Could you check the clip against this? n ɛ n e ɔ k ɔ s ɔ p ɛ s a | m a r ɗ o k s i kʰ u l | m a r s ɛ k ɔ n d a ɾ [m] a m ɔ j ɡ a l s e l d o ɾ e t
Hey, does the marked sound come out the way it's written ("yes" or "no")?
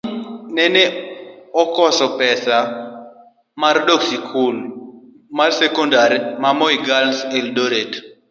yes